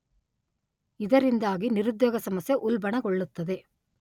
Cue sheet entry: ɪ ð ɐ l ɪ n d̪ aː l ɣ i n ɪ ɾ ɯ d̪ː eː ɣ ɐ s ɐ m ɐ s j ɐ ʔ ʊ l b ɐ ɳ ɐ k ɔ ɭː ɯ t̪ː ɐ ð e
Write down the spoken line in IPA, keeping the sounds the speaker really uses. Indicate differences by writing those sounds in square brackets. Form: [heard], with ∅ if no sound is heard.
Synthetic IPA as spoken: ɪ ð ɐ [ɾ] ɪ n d̪ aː [∅] ɣ i n ɪ ɾ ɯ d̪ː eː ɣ ɐ s ɐ m ɐ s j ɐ ʔ ʊ l b ɐ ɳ ɐ k ɔ ɭː ɯ t̪ː ɐ ð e